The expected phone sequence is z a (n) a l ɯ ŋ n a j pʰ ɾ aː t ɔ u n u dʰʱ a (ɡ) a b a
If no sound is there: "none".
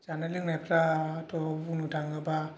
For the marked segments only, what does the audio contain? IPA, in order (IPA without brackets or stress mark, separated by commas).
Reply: n, ŋ